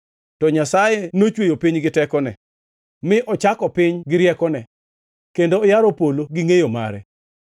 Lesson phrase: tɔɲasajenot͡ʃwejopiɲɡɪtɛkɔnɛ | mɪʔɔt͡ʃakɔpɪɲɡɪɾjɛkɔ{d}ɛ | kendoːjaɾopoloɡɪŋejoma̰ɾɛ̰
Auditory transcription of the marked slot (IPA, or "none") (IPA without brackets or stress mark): n